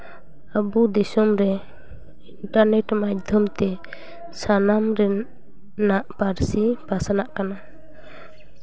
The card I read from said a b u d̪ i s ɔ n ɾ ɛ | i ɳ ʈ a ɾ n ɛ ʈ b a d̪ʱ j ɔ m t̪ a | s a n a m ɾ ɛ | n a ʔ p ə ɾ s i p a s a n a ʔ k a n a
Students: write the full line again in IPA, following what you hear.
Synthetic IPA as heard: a b u d̪ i s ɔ m ɾ ɛ | i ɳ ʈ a ɾ n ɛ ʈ m a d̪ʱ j ɔ m t̪ ɛ | s a n a m ɾ ɛ | n a ʔ p a ɾ s i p a s a n a ʔ k a n a